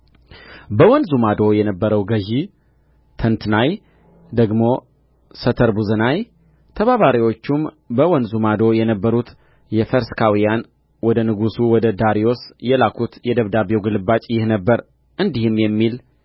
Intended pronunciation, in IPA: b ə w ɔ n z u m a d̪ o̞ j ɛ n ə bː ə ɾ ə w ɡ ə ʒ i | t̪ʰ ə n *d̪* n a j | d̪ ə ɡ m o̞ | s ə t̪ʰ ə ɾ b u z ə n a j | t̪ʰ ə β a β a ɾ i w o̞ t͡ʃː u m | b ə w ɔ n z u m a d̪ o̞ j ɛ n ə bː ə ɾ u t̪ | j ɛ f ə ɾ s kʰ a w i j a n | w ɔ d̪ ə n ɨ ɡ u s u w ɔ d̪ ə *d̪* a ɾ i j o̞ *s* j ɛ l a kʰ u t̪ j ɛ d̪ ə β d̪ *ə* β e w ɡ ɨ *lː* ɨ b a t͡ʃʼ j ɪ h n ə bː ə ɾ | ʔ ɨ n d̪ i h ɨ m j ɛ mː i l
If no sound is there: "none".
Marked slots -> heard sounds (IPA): t̪, d̪, s, a, l

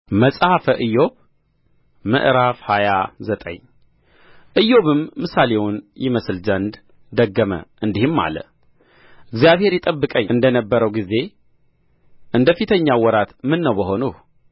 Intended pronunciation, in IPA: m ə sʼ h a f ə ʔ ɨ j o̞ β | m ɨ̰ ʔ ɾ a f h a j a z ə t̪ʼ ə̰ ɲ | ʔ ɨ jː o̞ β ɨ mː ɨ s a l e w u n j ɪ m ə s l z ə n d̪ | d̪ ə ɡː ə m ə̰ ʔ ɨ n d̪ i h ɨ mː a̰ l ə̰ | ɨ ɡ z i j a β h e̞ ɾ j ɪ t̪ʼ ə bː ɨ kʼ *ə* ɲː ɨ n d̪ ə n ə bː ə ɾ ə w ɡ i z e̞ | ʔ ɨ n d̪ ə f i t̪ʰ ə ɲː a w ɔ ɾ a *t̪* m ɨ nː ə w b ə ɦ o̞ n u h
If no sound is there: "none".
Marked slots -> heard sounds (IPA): ə, t̪

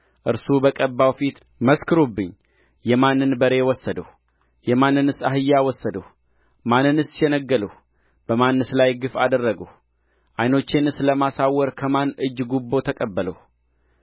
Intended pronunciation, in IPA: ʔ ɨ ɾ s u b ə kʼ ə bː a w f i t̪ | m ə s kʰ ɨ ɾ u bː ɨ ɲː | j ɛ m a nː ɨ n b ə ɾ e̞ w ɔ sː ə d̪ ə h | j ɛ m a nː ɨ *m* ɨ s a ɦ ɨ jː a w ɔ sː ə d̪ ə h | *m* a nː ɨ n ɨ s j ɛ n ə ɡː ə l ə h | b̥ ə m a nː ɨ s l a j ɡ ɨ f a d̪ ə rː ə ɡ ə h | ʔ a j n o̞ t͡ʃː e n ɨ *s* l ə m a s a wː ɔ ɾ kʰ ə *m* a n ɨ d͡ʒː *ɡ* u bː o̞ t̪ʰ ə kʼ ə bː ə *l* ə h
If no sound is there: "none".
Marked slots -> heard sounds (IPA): n, m, s, m, ɡ, l

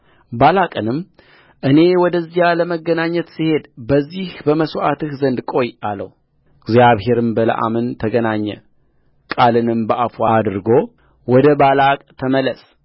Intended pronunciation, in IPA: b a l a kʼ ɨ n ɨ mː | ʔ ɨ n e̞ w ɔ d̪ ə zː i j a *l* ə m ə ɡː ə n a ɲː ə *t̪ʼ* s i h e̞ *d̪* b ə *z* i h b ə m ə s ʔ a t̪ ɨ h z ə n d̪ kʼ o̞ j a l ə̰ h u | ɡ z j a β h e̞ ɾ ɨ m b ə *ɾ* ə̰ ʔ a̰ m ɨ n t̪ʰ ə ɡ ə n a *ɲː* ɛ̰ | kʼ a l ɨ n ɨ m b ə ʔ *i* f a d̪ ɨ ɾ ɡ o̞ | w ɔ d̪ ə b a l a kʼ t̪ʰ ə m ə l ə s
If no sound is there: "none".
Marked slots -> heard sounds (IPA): l, t̪, d̪, zː, l, ɲː, a

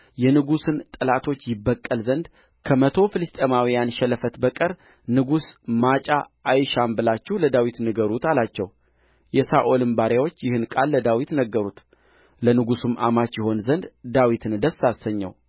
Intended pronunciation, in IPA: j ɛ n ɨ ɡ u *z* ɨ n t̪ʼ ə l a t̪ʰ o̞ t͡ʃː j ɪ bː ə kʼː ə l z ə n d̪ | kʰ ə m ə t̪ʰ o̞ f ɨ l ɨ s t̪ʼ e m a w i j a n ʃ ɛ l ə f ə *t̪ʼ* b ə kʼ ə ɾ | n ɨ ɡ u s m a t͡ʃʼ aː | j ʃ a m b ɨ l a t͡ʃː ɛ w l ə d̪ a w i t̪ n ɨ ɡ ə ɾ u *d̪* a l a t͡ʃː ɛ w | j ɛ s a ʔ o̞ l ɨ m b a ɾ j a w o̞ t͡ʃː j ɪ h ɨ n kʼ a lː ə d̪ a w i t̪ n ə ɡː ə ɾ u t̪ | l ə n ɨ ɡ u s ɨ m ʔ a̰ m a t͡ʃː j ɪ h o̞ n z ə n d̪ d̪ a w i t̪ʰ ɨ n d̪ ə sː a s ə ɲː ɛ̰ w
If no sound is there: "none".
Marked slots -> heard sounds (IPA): s, t̪, t̪

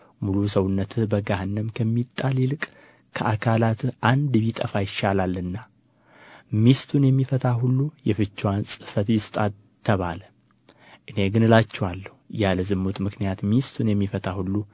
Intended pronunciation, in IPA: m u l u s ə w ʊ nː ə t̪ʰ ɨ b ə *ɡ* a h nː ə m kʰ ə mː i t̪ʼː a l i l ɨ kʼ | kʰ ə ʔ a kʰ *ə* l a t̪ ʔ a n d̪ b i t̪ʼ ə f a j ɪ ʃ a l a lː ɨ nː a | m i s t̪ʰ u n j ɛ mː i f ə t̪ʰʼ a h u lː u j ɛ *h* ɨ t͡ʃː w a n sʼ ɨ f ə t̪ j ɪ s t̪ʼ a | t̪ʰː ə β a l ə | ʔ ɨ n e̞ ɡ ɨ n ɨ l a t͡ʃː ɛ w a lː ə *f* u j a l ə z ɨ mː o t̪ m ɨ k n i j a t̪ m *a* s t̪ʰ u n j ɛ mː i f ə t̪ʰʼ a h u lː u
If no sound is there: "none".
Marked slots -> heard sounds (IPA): ɡ, a, f, h, i

